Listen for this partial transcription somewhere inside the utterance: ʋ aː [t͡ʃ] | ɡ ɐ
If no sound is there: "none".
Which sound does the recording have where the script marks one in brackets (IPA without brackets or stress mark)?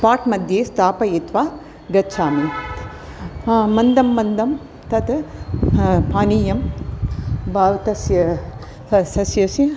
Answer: none